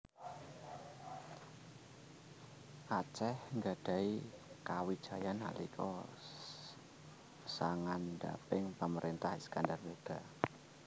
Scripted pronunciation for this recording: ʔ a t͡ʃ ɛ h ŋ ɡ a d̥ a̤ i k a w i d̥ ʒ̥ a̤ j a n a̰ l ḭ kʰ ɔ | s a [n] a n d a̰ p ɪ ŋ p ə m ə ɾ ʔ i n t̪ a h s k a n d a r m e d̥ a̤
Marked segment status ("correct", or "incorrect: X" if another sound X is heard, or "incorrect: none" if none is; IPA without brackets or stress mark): incorrect: ŋ